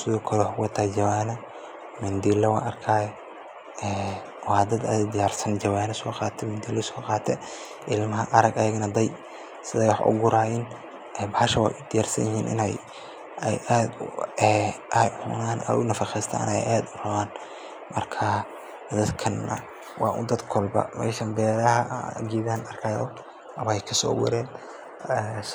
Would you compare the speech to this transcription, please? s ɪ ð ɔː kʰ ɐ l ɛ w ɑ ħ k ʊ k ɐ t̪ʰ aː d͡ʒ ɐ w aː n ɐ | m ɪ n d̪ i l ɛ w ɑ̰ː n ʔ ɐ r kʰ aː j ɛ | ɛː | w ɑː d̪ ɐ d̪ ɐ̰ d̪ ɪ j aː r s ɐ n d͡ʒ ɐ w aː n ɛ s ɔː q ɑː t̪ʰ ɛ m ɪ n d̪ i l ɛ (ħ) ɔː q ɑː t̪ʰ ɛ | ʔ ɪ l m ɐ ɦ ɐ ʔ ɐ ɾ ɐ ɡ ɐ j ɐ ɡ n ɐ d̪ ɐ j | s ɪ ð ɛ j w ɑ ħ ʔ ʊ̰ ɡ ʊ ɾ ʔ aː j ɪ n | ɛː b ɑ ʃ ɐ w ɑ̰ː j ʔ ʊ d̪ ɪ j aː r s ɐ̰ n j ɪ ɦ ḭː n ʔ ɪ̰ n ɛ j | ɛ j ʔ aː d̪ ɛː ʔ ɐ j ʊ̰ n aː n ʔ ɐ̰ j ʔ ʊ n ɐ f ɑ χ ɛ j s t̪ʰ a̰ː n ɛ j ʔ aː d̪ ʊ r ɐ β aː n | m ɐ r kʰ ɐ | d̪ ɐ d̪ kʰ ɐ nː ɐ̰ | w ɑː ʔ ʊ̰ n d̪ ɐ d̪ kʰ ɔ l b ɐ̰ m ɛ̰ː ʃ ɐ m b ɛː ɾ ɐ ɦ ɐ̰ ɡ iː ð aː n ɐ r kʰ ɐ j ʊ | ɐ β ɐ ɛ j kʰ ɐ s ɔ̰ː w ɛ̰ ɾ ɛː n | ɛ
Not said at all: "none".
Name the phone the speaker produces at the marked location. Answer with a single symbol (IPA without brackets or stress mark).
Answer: s